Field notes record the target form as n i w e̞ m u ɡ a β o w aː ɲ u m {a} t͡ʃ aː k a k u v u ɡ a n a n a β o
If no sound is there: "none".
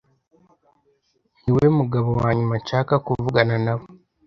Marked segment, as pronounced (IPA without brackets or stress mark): a